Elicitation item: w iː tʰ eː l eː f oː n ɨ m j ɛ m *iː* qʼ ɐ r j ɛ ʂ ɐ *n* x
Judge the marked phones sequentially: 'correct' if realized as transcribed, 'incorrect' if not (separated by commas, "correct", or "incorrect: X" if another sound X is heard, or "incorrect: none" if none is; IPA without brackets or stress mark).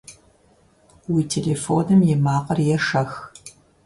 incorrect: aː, incorrect: none